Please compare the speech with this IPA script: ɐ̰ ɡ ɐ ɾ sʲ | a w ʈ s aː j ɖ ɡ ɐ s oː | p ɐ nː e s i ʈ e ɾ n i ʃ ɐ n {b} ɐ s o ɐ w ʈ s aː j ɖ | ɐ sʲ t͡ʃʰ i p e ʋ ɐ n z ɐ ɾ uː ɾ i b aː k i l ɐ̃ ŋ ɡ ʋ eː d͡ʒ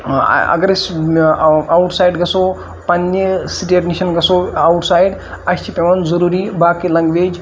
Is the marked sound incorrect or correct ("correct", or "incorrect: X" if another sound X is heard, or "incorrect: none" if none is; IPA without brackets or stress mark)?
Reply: incorrect: ɡ